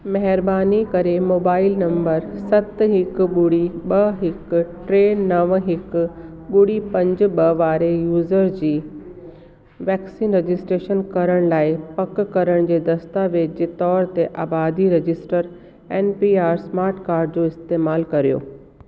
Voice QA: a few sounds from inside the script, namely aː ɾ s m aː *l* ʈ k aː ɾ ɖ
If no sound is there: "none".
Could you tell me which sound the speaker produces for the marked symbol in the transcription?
ɾ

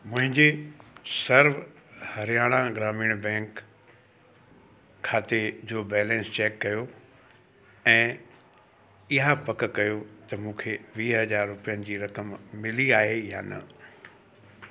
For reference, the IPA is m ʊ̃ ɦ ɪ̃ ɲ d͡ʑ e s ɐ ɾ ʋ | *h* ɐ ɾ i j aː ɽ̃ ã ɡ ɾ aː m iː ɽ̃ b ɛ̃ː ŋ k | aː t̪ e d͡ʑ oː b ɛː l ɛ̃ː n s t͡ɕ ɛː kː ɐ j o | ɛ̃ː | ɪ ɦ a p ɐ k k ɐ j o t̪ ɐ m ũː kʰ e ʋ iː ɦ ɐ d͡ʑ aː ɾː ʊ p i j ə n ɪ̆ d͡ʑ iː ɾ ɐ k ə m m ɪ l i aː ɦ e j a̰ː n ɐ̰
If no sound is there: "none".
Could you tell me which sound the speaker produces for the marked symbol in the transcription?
h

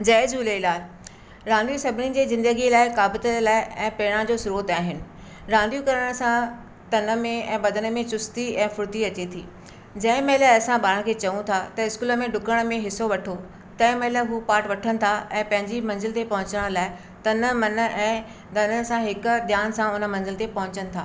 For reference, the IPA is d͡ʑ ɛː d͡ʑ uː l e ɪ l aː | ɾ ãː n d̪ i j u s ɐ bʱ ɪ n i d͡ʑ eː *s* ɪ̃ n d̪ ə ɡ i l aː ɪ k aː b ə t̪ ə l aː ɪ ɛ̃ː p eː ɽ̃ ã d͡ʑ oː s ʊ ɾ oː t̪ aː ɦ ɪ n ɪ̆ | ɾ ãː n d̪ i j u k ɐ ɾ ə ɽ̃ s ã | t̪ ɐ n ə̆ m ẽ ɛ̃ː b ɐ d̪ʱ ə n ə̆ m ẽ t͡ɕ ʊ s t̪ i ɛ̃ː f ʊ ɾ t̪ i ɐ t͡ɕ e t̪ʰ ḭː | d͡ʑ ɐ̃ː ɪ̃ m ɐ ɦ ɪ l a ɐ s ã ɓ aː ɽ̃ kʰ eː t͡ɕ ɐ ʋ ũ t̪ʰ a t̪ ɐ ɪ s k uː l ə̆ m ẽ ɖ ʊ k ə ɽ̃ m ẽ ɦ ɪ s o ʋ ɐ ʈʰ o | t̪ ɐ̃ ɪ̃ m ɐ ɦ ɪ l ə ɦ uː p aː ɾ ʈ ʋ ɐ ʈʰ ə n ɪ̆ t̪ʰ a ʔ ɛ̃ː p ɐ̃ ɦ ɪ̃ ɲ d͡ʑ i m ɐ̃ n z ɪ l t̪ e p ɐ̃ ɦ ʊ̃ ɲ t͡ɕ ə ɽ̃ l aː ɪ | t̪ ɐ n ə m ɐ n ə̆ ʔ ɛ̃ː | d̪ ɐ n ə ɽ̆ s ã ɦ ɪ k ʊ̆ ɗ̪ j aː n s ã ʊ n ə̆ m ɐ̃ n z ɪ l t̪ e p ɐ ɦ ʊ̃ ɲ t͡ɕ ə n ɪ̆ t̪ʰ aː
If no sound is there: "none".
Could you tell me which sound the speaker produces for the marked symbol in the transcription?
z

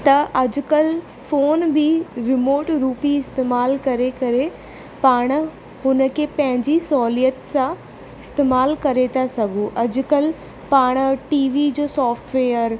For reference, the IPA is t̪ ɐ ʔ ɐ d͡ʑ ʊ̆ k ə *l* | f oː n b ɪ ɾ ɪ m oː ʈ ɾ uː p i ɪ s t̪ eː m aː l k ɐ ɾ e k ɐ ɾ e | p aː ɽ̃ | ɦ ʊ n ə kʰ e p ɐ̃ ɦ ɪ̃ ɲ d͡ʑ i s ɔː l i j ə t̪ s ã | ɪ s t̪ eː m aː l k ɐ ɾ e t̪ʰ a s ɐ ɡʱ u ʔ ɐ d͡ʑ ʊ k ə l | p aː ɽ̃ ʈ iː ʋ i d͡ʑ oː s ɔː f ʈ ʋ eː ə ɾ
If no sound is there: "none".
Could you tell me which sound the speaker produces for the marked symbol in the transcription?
l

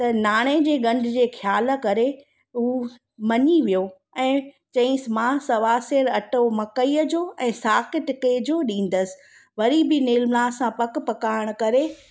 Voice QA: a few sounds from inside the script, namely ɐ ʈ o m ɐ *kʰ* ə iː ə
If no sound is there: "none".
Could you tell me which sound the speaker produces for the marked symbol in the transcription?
k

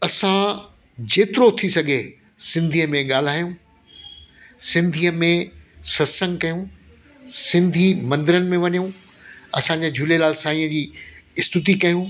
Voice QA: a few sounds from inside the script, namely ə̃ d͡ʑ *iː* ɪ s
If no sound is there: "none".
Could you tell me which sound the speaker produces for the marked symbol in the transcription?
iː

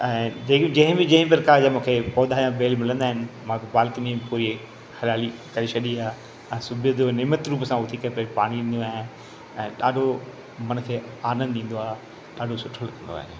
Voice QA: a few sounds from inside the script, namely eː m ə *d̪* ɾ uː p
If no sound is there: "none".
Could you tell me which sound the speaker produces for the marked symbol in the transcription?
t̪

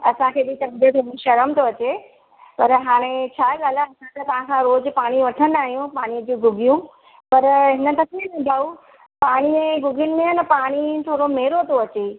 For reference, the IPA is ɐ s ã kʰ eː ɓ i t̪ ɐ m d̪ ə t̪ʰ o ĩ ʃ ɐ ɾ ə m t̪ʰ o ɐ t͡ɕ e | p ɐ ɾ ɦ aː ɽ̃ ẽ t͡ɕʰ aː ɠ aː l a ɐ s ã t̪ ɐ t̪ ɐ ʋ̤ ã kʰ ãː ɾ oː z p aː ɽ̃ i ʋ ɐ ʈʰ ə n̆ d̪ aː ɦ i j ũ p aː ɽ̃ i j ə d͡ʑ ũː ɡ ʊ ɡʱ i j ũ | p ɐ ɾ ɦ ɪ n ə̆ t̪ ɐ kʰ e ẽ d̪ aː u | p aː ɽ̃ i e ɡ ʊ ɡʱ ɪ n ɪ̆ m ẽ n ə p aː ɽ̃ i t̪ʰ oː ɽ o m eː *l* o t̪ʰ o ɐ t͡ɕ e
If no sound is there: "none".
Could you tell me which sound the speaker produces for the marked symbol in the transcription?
ɾ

